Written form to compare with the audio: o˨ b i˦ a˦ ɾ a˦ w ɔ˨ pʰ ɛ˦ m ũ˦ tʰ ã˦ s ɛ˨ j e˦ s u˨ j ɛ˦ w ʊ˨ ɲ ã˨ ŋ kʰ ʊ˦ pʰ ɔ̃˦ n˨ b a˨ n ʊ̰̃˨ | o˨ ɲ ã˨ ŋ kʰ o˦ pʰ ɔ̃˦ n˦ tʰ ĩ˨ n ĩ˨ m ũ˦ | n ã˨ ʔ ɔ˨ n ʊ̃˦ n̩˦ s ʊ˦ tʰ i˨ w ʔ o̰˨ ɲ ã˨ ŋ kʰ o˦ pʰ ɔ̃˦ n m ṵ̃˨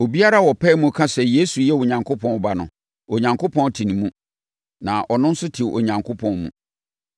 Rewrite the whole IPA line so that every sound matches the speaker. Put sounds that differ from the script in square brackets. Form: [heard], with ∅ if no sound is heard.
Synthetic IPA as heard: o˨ b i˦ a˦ ɾ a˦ w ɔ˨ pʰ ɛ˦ m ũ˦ [kʰ] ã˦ s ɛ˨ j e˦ s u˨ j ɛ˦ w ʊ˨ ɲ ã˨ ŋ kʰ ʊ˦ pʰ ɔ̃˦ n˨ b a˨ n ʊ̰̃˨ | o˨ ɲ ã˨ ŋ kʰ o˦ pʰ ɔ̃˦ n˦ tʰ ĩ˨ n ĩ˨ m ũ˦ | n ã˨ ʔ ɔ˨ n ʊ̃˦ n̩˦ s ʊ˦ tʰ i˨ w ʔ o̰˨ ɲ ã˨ ŋ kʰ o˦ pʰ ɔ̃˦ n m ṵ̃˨